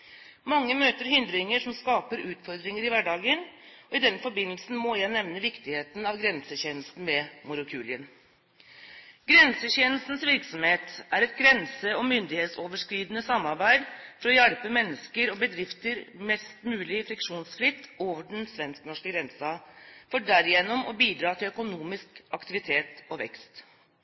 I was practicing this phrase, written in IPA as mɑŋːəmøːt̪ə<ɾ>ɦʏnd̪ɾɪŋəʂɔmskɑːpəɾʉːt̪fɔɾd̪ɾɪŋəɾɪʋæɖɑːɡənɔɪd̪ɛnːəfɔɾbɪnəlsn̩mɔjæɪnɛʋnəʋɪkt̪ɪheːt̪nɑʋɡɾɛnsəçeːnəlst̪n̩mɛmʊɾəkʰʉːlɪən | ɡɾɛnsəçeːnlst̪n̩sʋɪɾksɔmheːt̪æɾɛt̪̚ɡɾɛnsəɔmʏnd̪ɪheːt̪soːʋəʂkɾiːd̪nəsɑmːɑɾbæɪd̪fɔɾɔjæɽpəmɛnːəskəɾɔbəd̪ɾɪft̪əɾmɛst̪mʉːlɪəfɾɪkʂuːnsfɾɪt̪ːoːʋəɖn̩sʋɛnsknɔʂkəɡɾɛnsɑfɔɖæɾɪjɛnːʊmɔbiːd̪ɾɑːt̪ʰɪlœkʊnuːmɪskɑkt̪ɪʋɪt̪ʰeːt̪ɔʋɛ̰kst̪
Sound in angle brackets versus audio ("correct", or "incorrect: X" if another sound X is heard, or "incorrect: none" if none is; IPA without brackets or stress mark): correct